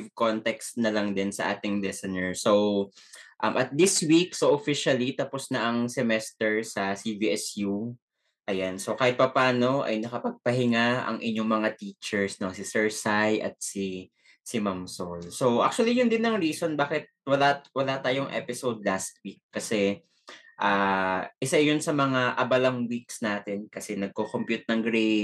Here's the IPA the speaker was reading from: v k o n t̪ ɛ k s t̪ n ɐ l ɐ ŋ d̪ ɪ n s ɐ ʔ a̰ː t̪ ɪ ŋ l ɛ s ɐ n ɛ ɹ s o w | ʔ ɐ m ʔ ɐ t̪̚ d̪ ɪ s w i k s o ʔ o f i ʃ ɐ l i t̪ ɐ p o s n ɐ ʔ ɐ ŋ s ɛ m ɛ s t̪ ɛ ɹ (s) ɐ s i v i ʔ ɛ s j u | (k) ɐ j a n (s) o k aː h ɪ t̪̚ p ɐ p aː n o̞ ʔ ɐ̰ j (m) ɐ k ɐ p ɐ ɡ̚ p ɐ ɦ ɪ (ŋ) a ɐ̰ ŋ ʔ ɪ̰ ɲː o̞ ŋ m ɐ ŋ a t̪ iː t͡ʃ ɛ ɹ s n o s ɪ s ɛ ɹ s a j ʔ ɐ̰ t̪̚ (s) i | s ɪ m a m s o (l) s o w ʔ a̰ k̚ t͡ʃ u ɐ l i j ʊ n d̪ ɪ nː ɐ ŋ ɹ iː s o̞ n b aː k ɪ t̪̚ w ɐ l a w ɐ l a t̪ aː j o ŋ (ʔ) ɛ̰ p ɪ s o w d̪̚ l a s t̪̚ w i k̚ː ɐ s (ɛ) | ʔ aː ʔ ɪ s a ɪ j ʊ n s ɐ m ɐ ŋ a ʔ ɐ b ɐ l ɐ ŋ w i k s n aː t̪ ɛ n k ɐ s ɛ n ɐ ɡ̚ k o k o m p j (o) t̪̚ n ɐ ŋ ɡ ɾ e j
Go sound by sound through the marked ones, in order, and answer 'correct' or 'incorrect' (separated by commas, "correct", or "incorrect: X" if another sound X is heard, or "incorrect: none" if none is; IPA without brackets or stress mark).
correct, incorrect: ʔ, correct, incorrect: n, correct, correct, correct, correct, correct, incorrect: u